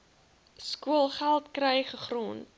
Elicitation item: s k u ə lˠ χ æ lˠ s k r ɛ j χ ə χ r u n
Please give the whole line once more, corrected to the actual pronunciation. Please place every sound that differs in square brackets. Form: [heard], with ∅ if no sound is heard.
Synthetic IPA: s k u ə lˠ χ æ lˠ [t] k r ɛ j χ ə χ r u n